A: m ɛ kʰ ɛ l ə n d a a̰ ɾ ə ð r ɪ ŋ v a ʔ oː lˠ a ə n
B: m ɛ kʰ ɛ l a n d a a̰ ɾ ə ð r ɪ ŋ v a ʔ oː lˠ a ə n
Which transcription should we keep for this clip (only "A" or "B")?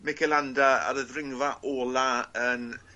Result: B